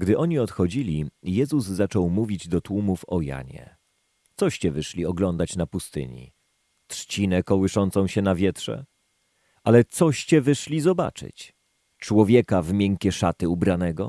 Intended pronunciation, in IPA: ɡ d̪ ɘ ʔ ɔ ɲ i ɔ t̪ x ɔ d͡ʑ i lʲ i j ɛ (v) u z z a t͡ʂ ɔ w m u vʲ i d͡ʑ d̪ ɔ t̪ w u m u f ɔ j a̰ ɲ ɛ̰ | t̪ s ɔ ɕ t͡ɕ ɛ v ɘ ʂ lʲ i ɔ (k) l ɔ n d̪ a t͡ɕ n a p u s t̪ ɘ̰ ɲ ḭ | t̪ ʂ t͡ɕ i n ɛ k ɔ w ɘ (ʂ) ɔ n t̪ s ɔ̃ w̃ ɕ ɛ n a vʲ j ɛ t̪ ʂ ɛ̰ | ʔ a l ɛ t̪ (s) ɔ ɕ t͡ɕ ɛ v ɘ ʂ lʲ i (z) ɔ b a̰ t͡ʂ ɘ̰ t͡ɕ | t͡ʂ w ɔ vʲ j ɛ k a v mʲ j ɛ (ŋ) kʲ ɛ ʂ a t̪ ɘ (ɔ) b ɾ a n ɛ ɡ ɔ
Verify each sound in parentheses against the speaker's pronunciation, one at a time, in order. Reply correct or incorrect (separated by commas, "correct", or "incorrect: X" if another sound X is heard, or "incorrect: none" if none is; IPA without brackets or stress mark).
incorrect: z, incorrect: ɡ, correct, correct, correct, correct, incorrect: u